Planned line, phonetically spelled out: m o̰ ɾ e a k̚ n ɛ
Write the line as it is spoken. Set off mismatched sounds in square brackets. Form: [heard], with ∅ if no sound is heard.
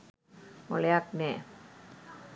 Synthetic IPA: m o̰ [l] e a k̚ n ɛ